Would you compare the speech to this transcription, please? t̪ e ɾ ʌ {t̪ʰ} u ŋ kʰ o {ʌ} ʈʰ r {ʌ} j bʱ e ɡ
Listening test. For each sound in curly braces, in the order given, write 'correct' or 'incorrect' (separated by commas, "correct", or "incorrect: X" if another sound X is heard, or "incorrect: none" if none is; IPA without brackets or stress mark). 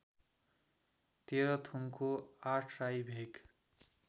correct, incorrect: a, incorrect: a